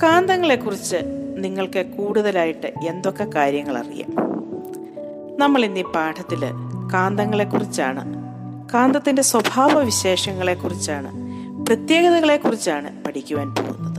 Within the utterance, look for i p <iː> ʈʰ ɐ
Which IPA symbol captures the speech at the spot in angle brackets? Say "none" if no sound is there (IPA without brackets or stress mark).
aː